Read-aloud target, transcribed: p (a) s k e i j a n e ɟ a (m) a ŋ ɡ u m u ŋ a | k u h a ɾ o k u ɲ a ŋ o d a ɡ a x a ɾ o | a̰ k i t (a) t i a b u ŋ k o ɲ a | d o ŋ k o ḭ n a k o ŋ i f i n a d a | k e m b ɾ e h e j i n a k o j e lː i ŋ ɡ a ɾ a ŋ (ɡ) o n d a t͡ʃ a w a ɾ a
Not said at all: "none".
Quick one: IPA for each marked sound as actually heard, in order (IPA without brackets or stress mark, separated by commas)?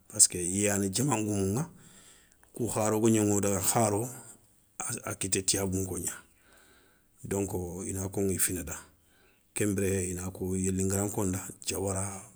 a, m, e, k